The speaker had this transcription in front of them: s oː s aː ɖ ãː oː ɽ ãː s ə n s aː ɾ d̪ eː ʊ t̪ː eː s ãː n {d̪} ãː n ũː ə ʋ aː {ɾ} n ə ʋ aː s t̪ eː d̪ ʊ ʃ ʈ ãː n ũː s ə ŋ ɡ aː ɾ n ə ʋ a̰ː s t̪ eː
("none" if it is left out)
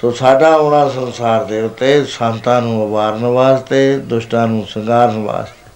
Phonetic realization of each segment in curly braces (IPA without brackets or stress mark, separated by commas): t̪, ɾ